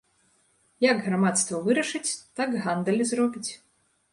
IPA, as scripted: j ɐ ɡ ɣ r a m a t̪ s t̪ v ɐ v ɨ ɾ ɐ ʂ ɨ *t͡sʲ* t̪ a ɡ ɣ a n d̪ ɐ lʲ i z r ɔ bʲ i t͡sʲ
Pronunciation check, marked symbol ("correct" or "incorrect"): correct